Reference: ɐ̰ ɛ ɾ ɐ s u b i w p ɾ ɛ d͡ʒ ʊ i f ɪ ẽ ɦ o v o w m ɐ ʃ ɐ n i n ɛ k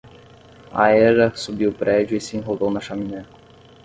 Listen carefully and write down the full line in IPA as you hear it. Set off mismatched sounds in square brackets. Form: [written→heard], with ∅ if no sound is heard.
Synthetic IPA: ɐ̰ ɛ ɾ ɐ s u b i w p ɾ ɛ d͡ʒ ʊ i [f→s] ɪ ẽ ɦ o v o w [m→n] ɐ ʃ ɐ [n→m] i n ɛ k